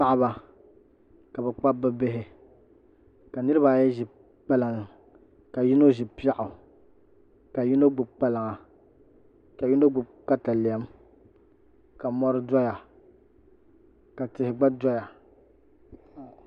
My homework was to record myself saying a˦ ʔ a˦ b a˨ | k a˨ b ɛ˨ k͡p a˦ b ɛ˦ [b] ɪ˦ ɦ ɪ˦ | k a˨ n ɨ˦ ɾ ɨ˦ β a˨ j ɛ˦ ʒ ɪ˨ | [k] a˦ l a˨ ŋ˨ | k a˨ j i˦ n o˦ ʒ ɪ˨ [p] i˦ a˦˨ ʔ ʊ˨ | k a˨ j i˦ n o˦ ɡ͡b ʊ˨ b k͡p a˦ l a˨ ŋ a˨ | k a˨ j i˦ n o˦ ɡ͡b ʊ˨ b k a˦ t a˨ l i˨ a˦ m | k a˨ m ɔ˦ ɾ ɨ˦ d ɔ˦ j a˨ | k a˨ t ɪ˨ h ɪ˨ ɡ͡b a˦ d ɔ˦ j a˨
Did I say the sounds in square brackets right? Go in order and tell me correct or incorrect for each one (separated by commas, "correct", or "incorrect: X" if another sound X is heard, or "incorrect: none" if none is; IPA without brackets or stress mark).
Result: correct, incorrect: k͡p, correct